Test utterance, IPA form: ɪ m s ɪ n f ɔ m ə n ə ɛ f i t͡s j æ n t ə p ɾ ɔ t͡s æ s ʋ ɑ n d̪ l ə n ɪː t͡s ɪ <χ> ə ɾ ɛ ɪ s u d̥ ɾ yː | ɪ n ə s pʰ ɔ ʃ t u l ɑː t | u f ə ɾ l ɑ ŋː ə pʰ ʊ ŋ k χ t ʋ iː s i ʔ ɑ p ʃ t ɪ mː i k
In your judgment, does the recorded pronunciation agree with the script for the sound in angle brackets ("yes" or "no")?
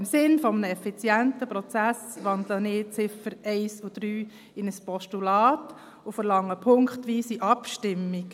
no